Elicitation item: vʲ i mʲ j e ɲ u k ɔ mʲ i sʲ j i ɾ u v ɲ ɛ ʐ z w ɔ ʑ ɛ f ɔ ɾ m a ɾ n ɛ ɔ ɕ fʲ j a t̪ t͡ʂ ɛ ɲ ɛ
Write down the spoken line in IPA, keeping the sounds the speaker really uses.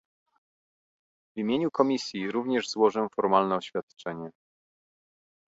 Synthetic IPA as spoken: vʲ i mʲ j e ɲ u k ɔ mʲ i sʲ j i ɾ u v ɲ ɛ ʐ z w ɔ ʐ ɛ f ɔ ɾ m a l n ɛ ɔ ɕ fʲ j a t̪ t͡ʂ ɛ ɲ ɛ